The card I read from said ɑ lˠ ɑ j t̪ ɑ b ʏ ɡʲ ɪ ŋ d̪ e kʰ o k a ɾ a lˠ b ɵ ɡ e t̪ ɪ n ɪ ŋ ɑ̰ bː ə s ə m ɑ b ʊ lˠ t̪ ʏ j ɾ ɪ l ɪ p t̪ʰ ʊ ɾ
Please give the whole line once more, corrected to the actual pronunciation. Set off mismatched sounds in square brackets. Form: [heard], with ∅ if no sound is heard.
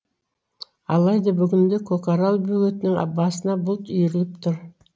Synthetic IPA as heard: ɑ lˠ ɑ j [d̪] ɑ b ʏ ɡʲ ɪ [n] d̪ e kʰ o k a ɾ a lˠ b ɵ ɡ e t̪ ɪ n ɪ ŋ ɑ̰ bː [ɑ] s ə [n] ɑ b ʊ lˠ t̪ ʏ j ɾ ɪ l ɪ p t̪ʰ ʊ ɾ